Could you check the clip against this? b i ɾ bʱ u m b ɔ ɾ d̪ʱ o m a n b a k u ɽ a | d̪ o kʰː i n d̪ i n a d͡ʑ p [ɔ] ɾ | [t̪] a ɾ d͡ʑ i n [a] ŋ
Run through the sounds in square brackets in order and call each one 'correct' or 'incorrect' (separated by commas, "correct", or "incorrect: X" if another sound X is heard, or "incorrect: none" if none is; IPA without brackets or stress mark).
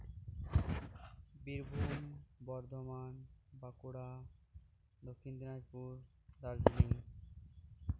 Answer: incorrect: u, incorrect: d̪, incorrect: i